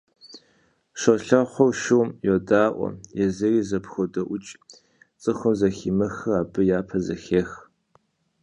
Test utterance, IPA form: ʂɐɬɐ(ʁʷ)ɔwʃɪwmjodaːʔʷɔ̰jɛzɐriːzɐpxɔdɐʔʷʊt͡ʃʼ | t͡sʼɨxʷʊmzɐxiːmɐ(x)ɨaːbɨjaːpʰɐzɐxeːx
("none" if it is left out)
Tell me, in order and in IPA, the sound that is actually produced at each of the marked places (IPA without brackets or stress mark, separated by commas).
χʷ, x